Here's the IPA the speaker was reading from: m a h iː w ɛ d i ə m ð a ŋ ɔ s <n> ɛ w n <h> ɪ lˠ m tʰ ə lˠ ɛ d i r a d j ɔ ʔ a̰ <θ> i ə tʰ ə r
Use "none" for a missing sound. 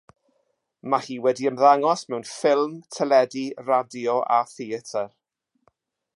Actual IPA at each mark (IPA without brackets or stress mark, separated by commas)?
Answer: m, f, θ